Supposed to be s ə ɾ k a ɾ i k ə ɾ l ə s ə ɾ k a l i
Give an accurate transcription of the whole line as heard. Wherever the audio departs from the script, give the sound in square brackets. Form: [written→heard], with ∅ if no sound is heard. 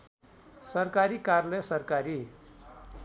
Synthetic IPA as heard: s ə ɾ k a ɾ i k [ə→a] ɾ l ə s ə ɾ k a [l→ɾ] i